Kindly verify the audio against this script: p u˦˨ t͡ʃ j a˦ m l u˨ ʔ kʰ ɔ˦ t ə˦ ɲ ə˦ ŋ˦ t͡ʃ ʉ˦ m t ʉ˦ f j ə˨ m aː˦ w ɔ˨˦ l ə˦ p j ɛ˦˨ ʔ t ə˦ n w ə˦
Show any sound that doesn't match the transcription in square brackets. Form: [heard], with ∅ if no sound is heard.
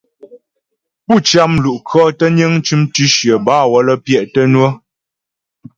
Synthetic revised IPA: p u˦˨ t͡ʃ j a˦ m l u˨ ʔ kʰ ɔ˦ t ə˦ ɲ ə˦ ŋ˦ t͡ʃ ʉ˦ m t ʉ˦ [ʃ] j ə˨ [b] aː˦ w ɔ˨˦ l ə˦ p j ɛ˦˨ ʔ t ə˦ n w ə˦